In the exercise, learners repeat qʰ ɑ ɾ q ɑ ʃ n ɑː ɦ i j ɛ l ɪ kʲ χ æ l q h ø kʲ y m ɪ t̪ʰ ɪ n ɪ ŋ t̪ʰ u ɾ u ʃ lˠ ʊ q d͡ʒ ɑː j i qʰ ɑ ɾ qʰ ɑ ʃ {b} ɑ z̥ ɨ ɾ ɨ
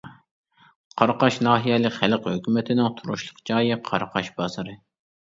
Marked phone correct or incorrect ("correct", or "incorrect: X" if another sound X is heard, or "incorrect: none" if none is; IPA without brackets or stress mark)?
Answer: correct